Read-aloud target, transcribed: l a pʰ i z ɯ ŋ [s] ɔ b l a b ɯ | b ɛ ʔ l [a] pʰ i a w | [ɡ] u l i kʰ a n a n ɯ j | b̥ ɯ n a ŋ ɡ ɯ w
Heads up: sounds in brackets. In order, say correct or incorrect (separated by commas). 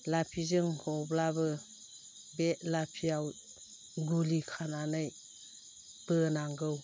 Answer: incorrect, correct, correct